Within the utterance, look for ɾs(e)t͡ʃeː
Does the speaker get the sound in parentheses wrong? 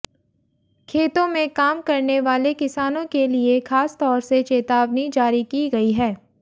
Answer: no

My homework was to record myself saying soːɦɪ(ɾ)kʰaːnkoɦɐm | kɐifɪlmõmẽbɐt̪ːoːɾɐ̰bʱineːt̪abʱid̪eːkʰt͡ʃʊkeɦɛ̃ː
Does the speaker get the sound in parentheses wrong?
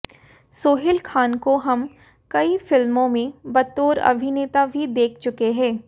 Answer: yes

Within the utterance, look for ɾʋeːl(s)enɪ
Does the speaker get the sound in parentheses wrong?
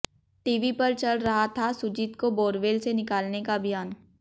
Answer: no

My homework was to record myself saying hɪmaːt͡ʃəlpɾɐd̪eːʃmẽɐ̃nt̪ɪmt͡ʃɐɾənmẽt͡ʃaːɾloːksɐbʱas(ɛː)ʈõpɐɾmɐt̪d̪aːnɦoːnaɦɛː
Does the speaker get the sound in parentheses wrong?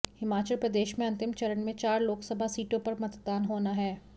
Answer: yes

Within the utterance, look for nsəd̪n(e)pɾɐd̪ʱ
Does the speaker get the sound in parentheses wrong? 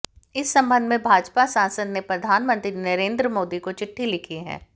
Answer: no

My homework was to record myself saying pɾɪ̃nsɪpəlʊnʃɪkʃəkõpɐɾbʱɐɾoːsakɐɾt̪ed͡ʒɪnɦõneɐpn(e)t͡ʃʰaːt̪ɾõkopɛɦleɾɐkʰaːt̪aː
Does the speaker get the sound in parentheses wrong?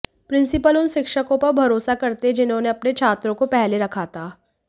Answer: no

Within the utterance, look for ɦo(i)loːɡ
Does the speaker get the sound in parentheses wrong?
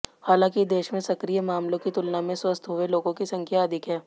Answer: yes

